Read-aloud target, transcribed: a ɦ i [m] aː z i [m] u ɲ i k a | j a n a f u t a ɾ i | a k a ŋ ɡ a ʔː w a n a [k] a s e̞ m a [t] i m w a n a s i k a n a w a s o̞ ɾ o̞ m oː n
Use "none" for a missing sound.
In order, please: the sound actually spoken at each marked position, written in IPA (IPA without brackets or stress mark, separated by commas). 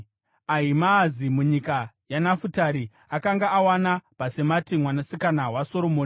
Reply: m, m, p, t